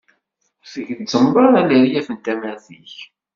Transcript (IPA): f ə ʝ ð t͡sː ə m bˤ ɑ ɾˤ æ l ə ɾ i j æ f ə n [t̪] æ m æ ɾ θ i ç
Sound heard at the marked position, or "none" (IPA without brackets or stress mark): t̪